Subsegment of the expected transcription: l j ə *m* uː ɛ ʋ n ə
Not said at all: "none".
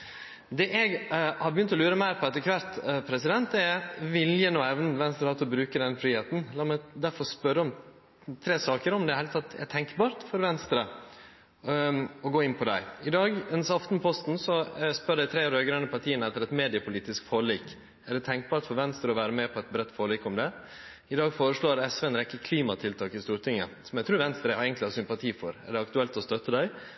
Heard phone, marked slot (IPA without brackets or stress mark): n